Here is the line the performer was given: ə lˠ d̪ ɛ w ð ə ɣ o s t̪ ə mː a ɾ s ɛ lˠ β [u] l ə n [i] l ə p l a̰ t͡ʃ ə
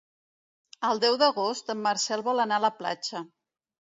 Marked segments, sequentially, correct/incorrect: incorrect: ɔ, incorrect: a

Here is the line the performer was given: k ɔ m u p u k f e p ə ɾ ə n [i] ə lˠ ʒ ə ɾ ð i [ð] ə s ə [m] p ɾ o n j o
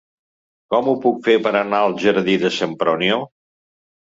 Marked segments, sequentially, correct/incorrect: incorrect: a, correct, correct

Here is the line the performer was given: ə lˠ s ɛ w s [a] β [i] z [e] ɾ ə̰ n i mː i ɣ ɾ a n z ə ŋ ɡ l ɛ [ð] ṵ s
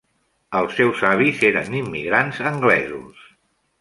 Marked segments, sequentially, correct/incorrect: correct, correct, correct, incorrect: z

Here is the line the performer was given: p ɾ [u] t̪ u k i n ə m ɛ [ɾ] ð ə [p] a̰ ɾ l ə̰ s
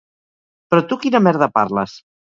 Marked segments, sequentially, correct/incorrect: incorrect: ɔ, correct, correct

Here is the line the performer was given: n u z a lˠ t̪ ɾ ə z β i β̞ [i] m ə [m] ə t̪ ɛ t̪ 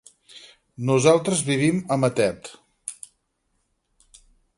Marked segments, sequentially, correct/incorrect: correct, correct

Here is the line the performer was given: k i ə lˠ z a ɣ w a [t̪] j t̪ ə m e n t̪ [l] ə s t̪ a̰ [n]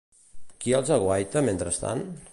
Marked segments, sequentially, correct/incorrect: incorrect: none, incorrect: ɾ, correct

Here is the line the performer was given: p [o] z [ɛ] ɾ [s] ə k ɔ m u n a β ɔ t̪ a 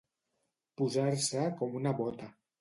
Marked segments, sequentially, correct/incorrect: incorrect: u, incorrect: a, correct

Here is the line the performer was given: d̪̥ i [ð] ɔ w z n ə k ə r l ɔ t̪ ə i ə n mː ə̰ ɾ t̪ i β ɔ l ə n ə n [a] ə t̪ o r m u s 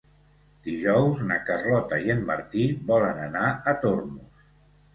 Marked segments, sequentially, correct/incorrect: incorrect: ʒ, correct

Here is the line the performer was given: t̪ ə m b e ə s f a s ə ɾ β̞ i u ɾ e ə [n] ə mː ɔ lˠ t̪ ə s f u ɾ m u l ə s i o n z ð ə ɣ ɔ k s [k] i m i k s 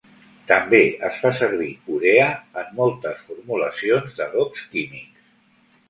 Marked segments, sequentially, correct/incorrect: incorrect: none, correct

